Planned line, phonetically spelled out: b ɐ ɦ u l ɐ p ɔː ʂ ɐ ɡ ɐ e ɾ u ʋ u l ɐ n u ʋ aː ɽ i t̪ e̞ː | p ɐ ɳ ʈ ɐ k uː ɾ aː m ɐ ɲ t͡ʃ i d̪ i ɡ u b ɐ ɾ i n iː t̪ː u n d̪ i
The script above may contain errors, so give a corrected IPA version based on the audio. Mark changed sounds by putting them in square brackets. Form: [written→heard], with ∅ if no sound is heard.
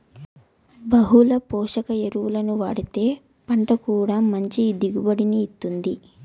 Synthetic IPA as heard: b ɐ ɦ u l ɐ p ɔː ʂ ɐ [ɡ→k] ɐ e ɾ u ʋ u l ɐ n u ʋ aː ɽ i t̪ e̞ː | p ɐ ɳ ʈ ɐ k uː [ɾ→ɽ] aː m ɐ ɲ t͡ʃ i d̪ i ɡ u b ɐ [ɾ→ɽ] i n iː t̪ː u n d̪ i